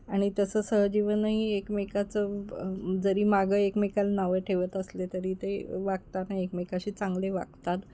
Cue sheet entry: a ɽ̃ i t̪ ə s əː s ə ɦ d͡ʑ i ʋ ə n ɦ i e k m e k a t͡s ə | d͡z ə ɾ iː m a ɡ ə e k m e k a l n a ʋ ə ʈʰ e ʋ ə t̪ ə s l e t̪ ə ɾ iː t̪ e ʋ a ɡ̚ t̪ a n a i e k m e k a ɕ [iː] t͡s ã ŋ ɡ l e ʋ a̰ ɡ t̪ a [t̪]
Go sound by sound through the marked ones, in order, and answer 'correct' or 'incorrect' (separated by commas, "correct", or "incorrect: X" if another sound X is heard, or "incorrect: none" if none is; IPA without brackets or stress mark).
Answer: correct, correct